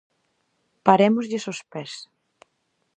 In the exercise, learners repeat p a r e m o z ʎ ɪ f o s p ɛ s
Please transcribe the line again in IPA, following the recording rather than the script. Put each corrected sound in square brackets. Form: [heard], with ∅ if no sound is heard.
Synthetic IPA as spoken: p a [ɾ] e m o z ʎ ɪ [s] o s p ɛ s